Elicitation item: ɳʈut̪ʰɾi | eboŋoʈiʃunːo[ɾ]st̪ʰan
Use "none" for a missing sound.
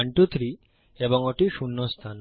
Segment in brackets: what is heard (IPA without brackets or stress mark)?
none